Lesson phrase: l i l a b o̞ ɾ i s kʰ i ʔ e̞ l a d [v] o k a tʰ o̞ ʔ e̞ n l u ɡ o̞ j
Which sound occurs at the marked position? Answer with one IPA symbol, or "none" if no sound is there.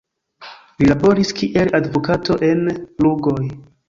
v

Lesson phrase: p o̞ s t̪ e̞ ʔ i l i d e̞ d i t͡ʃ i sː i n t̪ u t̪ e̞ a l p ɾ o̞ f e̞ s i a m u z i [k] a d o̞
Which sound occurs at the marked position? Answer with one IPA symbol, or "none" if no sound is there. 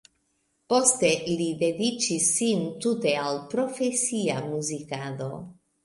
k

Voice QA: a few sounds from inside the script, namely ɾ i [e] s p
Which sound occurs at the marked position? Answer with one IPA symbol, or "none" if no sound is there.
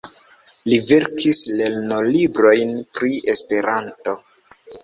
e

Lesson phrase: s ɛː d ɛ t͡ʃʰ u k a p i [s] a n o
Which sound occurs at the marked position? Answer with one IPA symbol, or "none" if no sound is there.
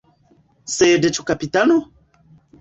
t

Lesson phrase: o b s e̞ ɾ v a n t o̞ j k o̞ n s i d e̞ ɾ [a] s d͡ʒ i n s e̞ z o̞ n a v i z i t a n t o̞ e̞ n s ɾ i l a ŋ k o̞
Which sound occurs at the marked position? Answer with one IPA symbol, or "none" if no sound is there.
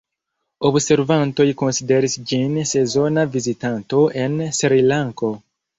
i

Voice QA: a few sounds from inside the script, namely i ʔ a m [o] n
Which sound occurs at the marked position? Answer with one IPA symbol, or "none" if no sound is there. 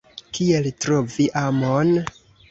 o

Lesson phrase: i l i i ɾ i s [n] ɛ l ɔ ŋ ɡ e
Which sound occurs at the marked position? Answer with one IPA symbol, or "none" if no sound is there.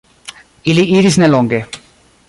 n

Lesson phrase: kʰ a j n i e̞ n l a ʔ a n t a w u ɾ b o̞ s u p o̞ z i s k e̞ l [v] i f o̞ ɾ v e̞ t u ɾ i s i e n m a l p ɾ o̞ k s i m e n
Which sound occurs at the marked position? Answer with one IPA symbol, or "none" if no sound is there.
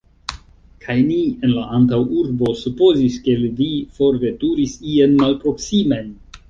v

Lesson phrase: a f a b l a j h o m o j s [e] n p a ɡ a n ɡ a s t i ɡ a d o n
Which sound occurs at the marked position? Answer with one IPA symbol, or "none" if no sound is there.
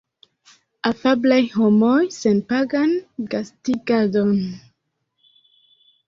e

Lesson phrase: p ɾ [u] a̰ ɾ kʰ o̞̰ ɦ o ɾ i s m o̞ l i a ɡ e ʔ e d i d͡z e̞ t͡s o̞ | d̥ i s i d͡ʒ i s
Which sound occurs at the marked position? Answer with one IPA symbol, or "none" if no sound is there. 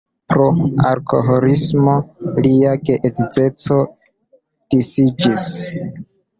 o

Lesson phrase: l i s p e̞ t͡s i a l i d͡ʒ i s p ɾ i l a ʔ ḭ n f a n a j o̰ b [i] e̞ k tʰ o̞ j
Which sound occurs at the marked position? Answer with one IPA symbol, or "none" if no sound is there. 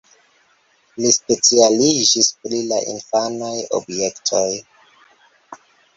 j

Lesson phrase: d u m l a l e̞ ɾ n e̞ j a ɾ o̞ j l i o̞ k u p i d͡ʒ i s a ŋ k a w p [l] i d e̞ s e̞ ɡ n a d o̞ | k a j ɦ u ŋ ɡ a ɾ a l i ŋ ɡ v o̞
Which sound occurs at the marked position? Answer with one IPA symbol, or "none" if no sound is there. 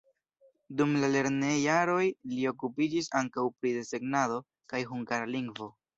ɾ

